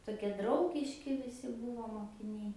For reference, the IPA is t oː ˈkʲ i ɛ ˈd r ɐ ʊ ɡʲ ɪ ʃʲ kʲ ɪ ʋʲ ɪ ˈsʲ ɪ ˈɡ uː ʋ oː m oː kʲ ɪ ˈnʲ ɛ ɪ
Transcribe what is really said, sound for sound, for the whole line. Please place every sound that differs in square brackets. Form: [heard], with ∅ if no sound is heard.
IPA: t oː ˈkʲ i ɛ ˈd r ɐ ʊ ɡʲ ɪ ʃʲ kʲ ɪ ʋʲ ɪ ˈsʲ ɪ [ˈb] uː ʋ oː m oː kʲ ɪ ˈnʲ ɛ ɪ